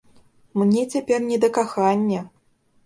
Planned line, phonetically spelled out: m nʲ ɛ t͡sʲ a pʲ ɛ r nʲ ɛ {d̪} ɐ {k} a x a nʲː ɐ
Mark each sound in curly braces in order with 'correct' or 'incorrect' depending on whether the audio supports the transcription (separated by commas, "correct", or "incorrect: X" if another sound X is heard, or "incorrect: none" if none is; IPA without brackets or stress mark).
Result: correct, correct